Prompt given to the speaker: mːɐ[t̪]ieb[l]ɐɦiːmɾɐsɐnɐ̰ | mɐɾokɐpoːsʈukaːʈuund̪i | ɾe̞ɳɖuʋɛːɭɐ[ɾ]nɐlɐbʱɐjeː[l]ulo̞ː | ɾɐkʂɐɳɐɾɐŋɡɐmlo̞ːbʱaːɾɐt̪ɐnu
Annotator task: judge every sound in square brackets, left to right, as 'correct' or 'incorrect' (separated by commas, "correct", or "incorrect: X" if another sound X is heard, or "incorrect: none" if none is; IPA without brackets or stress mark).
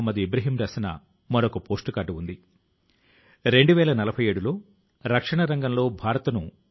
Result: incorrect: d̪, incorrect: ɾ, incorrect: none, incorrect: ɽ